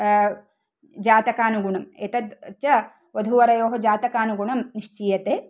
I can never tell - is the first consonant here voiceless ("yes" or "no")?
no